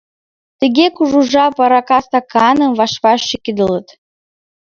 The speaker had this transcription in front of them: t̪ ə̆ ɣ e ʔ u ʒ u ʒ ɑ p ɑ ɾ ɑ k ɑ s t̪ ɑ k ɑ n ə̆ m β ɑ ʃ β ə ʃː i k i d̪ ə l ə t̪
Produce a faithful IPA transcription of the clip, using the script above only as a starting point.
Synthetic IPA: t̪ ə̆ ɣ e k u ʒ u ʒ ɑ p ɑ ɾ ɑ k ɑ s t̪ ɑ k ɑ n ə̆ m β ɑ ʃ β ɑ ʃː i k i d̪ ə l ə t̪